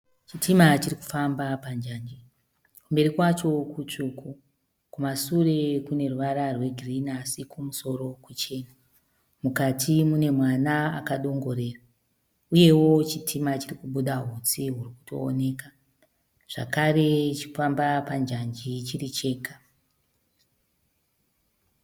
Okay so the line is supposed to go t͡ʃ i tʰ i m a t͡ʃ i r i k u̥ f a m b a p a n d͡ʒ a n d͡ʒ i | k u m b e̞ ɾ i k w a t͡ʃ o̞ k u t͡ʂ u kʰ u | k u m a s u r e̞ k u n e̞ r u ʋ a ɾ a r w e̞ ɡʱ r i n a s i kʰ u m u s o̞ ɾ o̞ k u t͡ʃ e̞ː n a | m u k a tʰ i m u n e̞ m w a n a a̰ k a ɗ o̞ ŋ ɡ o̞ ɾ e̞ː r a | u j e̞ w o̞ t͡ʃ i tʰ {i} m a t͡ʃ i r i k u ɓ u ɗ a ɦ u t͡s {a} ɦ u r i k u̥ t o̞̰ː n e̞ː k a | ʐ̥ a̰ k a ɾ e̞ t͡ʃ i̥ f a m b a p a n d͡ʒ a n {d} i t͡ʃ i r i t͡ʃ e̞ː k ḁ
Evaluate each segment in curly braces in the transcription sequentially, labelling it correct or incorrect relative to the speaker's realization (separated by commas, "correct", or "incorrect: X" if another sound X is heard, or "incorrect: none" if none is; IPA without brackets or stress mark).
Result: correct, incorrect: i, incorrect: d͡ʒ